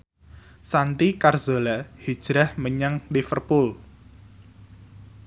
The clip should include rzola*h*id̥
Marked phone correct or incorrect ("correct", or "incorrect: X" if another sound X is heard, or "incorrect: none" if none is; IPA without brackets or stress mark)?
correct